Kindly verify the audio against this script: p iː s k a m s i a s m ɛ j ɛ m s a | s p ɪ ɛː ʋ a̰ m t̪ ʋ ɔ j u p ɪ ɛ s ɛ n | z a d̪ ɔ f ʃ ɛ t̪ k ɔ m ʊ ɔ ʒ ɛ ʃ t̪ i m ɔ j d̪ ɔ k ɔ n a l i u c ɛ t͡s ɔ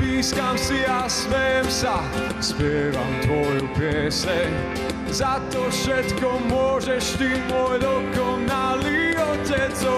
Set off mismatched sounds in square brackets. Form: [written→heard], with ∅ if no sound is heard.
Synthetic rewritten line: p iː s k a m s i a s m ɛ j ɛ m s a | s p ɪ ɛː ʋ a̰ m t̪ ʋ ɔ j u p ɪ ɛ s ɛ [n→ɲ] | z a [d̪→t̪] ɔ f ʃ ɛ t̪ k ɔ m ʊ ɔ ʒ ɛ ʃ t̪ i m ɔ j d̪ ɔ k ɔ n a l i [u→ɔ] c ɛ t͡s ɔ